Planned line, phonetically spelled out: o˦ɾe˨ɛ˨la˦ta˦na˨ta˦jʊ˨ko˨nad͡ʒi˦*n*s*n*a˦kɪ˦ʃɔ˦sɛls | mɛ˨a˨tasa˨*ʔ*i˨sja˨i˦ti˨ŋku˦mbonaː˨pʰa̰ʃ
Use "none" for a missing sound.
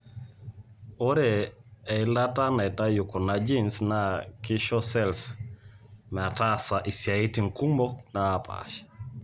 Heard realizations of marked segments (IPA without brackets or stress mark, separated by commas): n, n, ʔ